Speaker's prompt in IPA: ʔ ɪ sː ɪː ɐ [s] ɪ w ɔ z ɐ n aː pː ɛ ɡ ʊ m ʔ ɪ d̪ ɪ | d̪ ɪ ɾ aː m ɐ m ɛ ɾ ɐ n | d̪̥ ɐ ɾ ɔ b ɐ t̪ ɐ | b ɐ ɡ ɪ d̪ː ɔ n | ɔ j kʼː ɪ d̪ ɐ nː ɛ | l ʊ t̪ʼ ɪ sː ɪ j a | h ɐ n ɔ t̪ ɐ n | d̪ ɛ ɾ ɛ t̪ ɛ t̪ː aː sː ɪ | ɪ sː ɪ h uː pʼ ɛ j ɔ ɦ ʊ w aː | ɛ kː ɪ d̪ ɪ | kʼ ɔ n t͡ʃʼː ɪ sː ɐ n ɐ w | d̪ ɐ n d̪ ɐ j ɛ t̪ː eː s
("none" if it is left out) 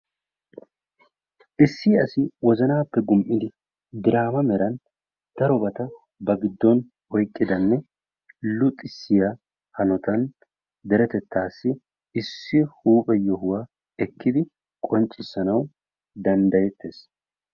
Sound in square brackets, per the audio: s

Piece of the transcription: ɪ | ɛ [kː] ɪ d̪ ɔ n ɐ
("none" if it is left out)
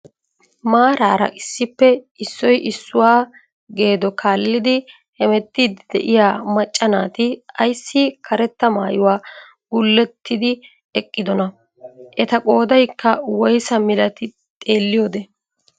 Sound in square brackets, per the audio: kʼː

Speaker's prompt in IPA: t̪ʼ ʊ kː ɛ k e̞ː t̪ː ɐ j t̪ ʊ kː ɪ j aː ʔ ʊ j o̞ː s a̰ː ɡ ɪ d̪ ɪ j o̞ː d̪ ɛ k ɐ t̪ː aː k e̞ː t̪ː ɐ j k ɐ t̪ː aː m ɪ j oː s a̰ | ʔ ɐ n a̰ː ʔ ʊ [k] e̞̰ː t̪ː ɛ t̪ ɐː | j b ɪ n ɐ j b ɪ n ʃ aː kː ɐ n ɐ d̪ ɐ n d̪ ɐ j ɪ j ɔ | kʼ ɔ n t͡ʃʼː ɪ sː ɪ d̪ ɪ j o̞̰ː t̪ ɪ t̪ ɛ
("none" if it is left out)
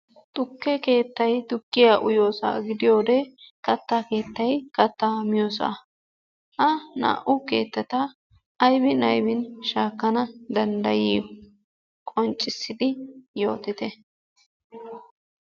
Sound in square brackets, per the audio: k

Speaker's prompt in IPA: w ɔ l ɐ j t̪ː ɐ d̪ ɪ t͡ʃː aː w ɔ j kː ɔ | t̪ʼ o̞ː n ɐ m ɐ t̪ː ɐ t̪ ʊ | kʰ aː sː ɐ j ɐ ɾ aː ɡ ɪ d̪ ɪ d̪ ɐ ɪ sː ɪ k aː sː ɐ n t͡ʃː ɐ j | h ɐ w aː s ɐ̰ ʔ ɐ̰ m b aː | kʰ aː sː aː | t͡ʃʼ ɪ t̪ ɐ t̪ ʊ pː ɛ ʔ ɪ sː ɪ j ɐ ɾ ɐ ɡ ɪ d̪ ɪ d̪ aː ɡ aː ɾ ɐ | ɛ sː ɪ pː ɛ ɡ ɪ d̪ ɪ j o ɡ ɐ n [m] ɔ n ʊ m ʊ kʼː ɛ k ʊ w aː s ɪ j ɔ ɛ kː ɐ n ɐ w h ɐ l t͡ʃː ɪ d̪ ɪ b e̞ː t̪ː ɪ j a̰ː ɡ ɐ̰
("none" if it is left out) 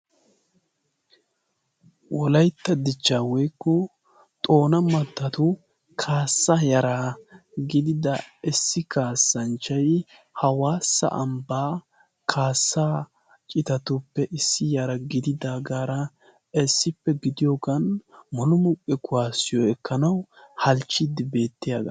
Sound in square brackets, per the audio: m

